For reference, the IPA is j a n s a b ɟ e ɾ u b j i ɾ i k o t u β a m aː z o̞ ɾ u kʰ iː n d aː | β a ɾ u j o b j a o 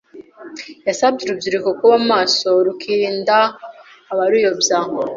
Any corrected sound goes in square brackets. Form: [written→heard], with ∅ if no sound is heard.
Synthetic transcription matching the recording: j a [n→∅] s a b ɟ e ɾ u b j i ɾ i k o [t→k] u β a m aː [z→s] o̞ ɾ u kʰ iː n d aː | β a ɾ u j o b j a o